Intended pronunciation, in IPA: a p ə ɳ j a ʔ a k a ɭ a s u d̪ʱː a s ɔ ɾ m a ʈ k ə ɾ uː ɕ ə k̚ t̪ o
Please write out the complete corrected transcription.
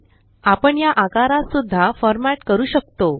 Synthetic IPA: a p ə ɳ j a ʔ a k a ɾ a s u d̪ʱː a f ɔ ɾ m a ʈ k ə ɾ uː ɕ ə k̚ t̪ o